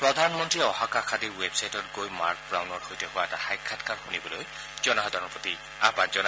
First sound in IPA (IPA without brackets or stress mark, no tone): p